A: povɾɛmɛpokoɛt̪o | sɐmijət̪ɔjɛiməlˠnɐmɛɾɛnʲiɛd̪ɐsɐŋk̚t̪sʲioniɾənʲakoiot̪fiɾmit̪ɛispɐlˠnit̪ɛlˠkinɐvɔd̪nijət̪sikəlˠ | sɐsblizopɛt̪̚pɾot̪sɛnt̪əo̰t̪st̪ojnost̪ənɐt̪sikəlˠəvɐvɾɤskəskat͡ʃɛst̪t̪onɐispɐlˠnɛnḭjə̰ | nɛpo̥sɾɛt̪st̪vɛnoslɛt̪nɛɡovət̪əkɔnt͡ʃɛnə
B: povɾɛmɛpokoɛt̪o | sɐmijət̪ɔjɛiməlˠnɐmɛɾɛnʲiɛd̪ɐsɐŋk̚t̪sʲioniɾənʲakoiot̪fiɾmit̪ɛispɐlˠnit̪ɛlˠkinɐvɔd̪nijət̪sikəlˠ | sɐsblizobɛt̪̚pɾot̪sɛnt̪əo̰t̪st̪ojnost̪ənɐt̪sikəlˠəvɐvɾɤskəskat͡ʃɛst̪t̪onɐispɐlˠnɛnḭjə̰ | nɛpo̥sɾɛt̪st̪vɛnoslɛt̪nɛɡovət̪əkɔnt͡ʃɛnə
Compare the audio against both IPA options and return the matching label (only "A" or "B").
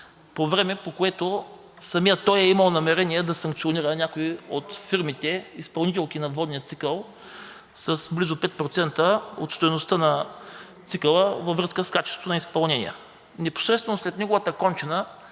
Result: A